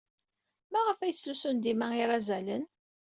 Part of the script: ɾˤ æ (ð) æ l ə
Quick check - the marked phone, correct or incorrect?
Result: incorrect